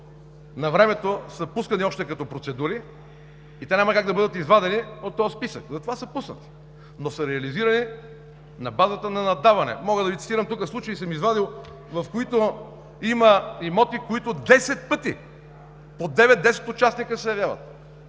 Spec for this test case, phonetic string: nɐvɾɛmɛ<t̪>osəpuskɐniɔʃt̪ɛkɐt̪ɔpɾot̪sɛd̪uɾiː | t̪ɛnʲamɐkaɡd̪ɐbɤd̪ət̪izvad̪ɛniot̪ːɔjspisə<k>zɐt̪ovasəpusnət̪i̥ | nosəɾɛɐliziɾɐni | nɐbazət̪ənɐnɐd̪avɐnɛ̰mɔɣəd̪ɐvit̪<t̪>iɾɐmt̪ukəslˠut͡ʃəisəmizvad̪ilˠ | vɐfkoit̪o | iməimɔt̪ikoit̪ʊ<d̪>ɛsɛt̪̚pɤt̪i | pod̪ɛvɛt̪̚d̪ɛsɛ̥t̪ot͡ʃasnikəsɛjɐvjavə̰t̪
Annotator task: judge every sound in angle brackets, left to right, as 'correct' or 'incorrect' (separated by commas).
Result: correct, correct, correct, correct